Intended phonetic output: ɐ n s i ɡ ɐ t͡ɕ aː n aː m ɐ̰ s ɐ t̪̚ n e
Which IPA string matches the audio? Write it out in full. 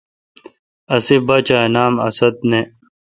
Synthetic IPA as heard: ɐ s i b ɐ t͡ɕ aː n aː m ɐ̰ s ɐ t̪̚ n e